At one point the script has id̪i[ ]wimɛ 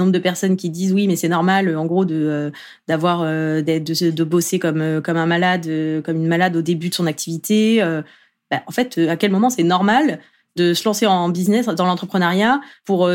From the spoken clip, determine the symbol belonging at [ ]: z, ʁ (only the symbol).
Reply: z